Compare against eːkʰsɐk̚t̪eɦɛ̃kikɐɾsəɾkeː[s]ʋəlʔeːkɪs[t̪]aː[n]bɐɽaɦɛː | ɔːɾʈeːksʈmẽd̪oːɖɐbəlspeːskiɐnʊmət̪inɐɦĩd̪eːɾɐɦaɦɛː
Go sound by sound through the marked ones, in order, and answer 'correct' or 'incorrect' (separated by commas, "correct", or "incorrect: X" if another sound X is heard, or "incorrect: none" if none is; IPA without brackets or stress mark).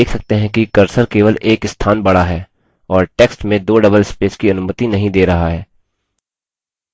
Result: incorrect: none, incorrect: t̪ʰ, correct